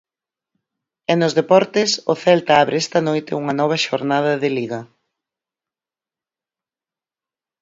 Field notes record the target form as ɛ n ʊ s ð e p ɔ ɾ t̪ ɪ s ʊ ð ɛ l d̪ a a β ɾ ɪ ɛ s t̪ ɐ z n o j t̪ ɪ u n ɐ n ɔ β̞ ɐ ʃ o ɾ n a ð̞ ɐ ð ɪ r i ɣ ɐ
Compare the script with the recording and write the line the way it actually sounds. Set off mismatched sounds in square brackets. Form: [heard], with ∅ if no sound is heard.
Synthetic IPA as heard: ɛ n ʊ [z] ð e p ɔ ɾ t̪ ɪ s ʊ [θ] ɛ l [t̪] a a β ɾ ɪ ɛ s t̪ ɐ [∅] n o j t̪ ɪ u [ŋ] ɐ n ɔ β̞ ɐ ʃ o ɾ n a ð̞ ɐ ð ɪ [l] i ɣ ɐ